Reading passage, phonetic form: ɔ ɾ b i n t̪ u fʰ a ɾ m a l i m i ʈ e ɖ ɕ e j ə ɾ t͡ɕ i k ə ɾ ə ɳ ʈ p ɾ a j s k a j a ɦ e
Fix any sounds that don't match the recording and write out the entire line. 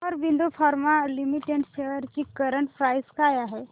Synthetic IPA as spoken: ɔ ɾ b i n d̪ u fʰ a ɾ m a l i m i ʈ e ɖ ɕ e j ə ɾ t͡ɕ i k ə ɾ ə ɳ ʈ p ɾ a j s k a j a ɦ e

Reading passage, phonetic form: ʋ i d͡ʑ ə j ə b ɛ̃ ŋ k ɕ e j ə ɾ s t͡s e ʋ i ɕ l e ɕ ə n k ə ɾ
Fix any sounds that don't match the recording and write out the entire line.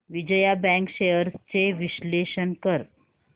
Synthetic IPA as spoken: ʋ i d͡ʑ ə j a b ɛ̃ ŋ k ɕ e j ə ɾ s t͡s e ʋ i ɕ l e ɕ ə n k ə ɾ

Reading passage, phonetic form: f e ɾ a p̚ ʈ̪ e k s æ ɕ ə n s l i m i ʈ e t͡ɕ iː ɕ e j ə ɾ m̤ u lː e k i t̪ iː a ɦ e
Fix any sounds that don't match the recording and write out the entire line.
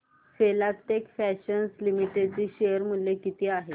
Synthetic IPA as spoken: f e l a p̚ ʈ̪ e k f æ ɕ ə n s l i m i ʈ e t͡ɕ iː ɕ e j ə ɾ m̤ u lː e k i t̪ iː a ɦ e

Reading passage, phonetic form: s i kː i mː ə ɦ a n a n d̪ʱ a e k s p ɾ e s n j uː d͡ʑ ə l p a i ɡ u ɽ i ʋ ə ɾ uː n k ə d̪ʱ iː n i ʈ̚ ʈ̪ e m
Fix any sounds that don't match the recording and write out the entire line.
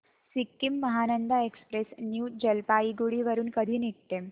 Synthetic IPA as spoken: s i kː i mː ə ɦ a n ə n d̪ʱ a e k s p ɾ e s n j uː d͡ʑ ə l p a i ɡ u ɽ i ʋ ə ɾ uː n k ə d̪ʱ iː n i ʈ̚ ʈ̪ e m

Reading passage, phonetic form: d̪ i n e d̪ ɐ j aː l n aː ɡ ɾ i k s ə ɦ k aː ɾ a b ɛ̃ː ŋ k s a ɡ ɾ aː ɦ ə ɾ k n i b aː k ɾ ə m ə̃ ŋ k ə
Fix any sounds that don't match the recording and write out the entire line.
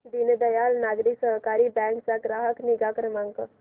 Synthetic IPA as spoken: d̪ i n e d̪ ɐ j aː l n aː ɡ ɾ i k s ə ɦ k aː ɾ i b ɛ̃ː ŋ k s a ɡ ɾ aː ɦ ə k n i ɡ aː k ɾ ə m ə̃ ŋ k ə

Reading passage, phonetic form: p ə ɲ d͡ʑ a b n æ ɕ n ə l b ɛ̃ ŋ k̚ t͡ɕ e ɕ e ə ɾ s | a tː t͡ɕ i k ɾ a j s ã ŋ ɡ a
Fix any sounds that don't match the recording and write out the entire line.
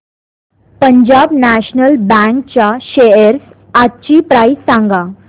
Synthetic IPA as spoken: p ə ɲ d͡ʑ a b n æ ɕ n ə l b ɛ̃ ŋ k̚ t͡ɕ a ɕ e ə ɾ s | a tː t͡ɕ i p ɾ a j s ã ŋ ɡ a

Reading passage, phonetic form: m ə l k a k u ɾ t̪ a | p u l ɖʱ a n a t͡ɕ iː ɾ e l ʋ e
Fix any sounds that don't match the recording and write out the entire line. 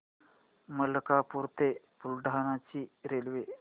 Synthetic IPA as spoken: m ə l k a p u ɾ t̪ e | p u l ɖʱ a n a t͡ɕ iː ɾ e l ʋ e

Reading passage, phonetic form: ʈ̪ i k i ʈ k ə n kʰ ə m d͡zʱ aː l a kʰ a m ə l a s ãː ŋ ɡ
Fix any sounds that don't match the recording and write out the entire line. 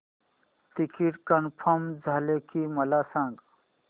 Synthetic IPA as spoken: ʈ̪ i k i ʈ k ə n pʰ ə m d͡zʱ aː l e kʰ i m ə l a s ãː ŋ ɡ

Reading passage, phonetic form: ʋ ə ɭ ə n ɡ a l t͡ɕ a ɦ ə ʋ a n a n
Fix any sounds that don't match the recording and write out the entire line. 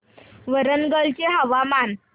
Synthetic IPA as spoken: ʋ ə ɾ ə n ɡ ə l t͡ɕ e ɦ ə ʋ a m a n

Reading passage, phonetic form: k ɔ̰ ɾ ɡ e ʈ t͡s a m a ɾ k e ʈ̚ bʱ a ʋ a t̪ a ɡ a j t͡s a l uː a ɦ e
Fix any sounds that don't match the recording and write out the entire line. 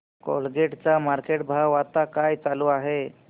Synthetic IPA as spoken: k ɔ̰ l ɡ e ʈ t͡s a m a ɾ k e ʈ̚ bʱ a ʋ a t̪ a k a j t͡s a l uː a ɦ e

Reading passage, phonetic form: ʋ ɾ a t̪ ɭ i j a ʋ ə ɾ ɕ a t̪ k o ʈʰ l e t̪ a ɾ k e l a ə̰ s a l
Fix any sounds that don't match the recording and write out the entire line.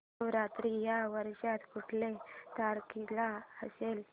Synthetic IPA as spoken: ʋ ɾ a t̪ ɾ i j a ʋ ə ɾ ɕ a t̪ k u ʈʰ l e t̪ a ɾ k i l a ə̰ s e l

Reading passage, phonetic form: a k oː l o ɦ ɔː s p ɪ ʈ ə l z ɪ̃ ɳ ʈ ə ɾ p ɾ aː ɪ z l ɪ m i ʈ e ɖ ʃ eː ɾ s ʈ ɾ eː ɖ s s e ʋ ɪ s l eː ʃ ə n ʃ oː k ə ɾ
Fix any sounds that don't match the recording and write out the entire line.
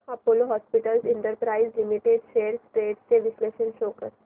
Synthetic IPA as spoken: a p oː l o ɦ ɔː s p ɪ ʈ ə l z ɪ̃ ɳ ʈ ə ɾ p ɾ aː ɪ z l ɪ m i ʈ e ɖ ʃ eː ɾ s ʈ ɾ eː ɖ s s e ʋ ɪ s l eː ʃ ə n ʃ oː k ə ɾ

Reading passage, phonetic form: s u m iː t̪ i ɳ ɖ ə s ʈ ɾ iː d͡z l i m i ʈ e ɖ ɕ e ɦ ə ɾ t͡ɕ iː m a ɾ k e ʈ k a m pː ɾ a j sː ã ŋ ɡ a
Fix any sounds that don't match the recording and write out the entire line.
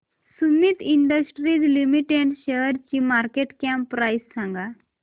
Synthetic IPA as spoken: s u m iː t̪ i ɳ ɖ ə s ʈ ɾ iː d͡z l i m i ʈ e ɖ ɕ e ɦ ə ɾ t͡ɕ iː m a ɾ k e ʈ k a m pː ɾ a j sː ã ŋ ɡ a

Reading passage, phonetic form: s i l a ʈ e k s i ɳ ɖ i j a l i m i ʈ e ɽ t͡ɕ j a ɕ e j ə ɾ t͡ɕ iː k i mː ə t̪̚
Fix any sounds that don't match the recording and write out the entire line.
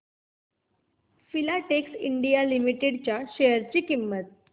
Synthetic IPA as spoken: f i l a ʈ e k s i ɳ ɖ i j a l i m i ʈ e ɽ t͡ɕ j a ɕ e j ə ɾ t͡ɕ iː k i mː ə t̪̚

